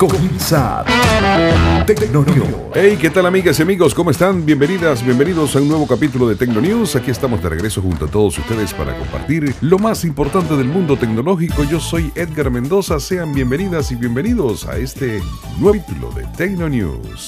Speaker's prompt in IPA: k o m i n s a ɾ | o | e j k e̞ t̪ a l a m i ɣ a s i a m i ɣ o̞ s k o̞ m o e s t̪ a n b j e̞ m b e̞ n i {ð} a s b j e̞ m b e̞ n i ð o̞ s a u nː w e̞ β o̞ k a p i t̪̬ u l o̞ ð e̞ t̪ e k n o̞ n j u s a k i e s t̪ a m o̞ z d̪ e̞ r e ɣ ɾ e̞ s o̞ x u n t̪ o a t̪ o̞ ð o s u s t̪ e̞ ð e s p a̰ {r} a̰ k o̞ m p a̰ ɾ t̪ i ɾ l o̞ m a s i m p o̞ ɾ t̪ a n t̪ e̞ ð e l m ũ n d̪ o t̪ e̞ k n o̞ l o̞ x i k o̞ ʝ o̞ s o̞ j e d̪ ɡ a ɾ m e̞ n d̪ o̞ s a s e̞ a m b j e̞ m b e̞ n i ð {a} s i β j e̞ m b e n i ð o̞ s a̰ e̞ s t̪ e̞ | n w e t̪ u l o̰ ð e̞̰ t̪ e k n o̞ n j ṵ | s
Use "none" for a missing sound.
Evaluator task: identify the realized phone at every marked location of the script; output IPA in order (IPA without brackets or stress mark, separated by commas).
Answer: ð, ɾ, a